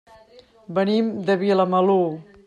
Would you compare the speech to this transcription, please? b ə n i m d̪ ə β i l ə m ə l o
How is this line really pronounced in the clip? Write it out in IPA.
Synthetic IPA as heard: b ə n i m d̪ ə β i l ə m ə l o